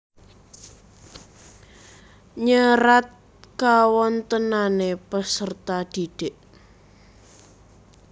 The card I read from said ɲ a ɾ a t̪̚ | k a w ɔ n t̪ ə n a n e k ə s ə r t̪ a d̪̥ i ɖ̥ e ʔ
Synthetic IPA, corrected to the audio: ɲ ə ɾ a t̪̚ | k a w ɔ n t̪ ə n a n e p ə s ə r t̪ a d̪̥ i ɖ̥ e ʔ